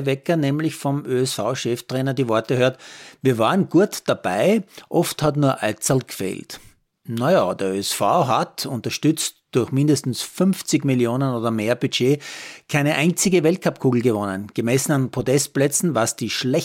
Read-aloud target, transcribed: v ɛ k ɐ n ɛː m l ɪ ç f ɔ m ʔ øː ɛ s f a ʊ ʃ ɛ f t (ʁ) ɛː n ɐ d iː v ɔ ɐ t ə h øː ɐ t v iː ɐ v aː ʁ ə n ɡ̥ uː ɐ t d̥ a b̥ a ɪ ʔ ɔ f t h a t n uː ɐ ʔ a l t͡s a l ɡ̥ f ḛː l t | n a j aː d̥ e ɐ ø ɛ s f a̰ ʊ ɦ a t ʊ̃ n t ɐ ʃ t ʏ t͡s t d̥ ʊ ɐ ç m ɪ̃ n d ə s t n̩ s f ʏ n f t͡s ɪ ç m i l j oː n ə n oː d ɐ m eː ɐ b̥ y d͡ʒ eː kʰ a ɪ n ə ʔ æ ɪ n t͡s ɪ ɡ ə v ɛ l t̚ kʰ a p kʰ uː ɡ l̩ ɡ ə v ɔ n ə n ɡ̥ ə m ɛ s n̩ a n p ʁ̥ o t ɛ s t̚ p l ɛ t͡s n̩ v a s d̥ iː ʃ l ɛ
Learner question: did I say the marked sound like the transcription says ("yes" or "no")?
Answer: yes